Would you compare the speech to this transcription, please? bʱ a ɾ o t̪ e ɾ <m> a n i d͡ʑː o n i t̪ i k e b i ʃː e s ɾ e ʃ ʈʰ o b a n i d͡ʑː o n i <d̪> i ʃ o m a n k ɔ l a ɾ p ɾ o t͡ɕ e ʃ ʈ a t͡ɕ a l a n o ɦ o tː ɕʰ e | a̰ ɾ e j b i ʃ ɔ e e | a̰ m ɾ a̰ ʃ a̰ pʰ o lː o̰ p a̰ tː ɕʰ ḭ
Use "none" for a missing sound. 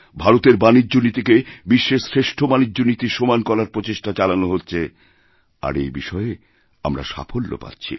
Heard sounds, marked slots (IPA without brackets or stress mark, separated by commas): b, t̪